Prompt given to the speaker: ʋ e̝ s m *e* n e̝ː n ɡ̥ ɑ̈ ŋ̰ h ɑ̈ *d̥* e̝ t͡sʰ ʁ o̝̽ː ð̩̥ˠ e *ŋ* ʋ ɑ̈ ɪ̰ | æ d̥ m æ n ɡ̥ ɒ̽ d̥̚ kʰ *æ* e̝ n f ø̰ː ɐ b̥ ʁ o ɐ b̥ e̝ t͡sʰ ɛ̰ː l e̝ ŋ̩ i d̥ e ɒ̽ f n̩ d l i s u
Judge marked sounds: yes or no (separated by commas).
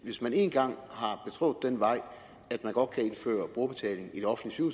no, no, no, yes